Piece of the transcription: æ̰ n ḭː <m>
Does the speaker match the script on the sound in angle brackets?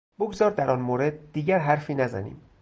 yes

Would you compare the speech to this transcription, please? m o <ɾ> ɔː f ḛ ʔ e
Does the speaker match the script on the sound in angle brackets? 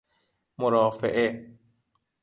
yes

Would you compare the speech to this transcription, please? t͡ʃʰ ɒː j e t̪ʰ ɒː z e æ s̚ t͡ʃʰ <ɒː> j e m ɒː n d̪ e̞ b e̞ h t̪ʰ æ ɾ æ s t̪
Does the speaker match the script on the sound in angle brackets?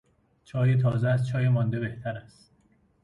yes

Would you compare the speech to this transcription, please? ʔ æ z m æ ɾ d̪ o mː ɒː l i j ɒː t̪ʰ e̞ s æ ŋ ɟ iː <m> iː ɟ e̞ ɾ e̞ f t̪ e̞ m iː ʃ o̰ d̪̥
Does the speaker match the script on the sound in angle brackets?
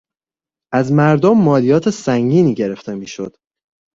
no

